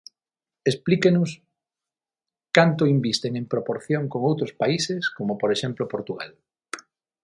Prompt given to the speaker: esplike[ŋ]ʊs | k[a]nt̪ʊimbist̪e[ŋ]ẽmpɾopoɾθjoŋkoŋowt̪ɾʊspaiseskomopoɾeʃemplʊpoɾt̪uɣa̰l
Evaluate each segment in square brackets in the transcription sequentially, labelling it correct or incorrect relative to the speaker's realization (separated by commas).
incorrect, correct, correct